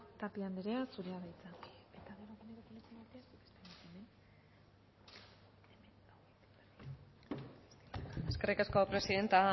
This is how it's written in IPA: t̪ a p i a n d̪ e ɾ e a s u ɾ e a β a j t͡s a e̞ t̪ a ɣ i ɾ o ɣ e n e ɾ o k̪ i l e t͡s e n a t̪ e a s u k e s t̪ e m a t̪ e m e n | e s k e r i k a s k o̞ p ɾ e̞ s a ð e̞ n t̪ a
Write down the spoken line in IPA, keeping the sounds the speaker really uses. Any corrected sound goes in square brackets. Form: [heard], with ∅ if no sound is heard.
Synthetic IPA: t̪ a p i a n d̪ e ɾ e a s u ɾ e a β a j t͡s a e̞ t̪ a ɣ [e] ɾ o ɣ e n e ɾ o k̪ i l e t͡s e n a t̪ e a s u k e s t̪ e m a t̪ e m e n | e s k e r i k a s k o̞ p ɾ e̞ s [i] ð e̞ n t̪ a